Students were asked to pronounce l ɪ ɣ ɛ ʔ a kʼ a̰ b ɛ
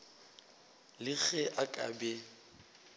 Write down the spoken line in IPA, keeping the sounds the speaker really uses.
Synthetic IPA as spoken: l ɪ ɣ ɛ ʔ a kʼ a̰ b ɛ